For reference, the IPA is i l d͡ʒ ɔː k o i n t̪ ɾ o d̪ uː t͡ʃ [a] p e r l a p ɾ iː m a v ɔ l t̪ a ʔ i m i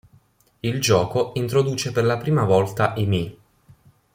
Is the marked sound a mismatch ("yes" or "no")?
yes